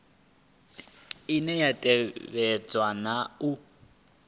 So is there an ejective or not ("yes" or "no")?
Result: yes